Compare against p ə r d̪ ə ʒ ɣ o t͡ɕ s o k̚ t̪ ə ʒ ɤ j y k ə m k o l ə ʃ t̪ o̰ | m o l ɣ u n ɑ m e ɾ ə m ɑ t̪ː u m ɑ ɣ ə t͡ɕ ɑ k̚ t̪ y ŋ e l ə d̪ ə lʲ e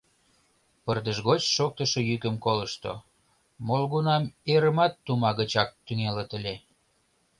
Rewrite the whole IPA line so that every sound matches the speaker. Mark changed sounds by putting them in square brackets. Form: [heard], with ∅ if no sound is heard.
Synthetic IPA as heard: p ə r d̪ ə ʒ ɣ o t͡ɕ [ʃ] o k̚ t̪ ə [ʃ] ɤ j y k ə m k o l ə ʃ t̪ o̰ | m o l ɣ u n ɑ m e ɾ ə m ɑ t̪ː u m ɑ ɣ ə t͡ɕ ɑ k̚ t̪ y ŋ e l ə [t̪] ə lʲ e